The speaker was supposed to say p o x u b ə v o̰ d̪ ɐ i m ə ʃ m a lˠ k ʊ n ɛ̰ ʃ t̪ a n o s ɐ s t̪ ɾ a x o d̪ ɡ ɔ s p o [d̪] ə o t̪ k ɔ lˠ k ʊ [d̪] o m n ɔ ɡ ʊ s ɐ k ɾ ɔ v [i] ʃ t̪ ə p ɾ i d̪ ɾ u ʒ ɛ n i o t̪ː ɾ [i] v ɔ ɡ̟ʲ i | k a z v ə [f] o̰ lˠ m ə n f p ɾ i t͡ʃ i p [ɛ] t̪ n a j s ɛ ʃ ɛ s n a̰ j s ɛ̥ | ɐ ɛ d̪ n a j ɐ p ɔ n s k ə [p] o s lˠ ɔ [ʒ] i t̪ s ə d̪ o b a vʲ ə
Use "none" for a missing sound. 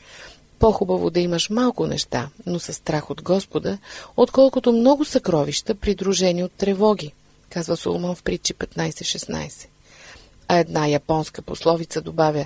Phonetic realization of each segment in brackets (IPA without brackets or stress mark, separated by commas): d̪, t̪, i, ɛ, s, ɛ, p, v